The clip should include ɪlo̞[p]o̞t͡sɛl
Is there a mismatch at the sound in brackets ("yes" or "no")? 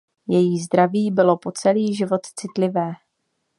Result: no